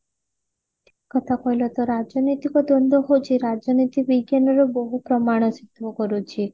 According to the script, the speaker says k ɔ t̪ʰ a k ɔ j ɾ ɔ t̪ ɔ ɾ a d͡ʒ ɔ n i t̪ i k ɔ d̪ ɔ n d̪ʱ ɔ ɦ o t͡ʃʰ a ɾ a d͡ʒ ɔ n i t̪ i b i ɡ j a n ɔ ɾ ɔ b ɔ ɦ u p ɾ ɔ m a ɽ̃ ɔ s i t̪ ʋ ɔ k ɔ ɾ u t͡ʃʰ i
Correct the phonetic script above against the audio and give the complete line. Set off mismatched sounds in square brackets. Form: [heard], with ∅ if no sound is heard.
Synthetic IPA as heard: k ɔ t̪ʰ a k ɔ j [l] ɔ t̪ ɔ ɾ a d͡ʒ ɔ n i t̪ i k ɔ d̪ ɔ n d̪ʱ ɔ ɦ o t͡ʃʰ [i] ɾ a d͡ʒ ɔ n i t̪ i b i ɡ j a n ɔ ɾ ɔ b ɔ ɦ u p ɾ ɔ m a ɽ̃ ɔ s i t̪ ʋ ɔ k ɔ ɾ u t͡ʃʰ i